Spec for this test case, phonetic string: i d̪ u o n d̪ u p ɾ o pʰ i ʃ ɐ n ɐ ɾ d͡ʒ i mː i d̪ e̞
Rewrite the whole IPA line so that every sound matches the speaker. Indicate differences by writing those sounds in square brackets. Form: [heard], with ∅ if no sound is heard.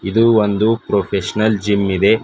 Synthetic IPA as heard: i d̪ u o n d̪ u p ɾ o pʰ [e] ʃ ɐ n ɐ [l] d͡ʒ i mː i d̪ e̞